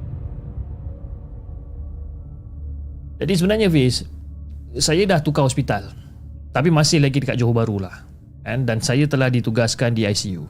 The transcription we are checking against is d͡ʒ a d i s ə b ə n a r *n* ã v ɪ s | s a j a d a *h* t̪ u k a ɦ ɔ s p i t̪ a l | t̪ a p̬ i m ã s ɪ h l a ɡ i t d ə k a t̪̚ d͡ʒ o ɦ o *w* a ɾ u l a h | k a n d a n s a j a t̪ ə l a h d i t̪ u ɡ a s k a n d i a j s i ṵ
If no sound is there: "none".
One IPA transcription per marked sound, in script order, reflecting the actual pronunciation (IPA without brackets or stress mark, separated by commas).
ɲ, h, b